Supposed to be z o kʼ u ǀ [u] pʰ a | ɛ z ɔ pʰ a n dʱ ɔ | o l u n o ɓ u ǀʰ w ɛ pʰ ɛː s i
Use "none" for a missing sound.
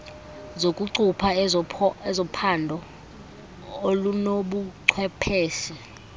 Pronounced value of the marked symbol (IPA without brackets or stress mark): u